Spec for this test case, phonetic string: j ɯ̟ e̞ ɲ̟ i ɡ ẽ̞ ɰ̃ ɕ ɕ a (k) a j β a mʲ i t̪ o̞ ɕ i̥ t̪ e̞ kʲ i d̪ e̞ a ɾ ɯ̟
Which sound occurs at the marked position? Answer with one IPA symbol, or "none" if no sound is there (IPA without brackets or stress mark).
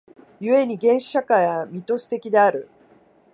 k